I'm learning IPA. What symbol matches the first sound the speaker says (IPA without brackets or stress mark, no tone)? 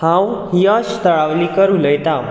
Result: h